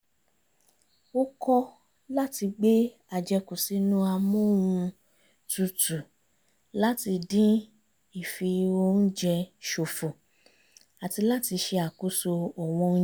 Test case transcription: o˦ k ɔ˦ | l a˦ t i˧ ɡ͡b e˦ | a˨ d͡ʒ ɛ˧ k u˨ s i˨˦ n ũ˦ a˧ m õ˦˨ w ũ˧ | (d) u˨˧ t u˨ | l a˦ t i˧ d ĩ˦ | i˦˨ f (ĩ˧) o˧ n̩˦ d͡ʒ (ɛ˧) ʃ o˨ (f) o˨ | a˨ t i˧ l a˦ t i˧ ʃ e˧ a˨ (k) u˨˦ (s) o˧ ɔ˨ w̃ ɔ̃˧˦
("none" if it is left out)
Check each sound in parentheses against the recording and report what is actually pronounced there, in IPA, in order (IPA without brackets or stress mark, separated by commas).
t, i˧, ɛ˧, f, k, s